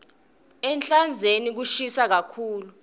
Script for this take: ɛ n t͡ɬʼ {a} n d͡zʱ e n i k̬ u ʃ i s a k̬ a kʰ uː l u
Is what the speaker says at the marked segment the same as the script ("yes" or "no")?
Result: yes